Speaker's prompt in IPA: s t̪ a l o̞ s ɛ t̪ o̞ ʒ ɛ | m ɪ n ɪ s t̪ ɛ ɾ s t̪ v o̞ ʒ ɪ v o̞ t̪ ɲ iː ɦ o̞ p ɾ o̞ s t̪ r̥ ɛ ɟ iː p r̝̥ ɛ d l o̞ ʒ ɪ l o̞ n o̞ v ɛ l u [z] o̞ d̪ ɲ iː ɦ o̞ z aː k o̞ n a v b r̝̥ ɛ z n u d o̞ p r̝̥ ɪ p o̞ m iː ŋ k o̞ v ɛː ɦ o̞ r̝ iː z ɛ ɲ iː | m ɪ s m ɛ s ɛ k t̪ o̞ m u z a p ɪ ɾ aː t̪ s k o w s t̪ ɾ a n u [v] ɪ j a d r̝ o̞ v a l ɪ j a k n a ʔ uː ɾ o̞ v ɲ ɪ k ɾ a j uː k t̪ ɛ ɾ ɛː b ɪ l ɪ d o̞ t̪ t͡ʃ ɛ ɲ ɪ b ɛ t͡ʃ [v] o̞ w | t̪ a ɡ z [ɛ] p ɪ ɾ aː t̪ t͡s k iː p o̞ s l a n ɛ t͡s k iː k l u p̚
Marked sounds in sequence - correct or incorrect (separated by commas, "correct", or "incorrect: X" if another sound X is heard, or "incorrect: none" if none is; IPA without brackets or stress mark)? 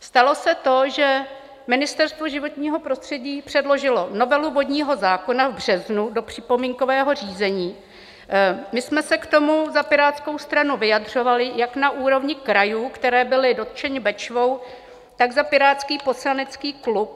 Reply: incorrect: v, correct, correct, incorrect: a